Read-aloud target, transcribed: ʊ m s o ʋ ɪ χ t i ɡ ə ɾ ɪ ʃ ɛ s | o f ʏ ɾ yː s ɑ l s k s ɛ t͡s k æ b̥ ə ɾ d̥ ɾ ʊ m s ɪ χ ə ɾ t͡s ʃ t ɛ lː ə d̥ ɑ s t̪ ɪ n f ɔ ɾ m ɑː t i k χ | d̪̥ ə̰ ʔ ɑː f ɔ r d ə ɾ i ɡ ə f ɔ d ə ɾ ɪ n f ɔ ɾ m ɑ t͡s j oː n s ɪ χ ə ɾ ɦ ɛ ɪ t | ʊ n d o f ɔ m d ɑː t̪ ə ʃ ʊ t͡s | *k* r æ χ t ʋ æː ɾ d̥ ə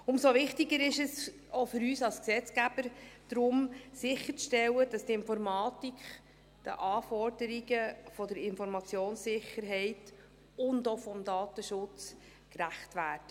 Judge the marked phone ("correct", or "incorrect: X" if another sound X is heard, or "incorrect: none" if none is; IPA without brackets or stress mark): correct